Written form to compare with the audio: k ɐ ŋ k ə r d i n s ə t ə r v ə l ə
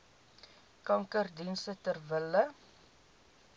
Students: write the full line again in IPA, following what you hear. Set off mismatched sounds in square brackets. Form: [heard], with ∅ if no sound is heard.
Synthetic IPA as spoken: k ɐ ŋ k ə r d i n s ə t ə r v ə l ə